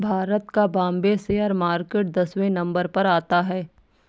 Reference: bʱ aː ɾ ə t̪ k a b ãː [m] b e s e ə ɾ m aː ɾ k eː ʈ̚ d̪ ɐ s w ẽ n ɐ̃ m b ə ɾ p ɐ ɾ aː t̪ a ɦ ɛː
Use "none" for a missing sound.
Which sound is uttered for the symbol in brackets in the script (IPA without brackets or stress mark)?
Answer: m